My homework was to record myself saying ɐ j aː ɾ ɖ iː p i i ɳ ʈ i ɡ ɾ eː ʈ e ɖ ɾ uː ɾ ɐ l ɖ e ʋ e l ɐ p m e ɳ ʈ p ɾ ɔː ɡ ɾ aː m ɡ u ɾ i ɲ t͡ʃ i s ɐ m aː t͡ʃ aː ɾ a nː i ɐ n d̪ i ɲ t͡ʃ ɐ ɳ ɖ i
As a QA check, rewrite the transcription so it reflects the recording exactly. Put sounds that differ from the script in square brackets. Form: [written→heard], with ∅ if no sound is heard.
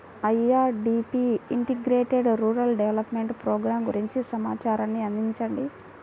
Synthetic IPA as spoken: ɐ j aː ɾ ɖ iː p i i ɳ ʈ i ɡ ɾ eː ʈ e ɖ ɾ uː ɾ ɐ l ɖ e ʋ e l ɐ p m e ɳ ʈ p ɾ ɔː ɡ ɾ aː m ɡ u ɾ i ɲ t͡ʃ i s ɐ m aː t͡ʃ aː ɾ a nː i ɐ n d̪ i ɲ t͡ʃ ɐ ɳ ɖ i